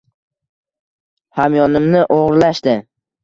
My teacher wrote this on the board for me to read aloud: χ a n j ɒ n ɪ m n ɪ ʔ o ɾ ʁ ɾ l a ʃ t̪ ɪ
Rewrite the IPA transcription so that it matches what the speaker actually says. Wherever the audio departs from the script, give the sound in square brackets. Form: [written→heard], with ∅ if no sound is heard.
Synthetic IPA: [χ→h] a [n→m] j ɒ n ɪ m n ɪ ʔ o [ɾ→∅] ʁ ɾ l a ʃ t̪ ɪ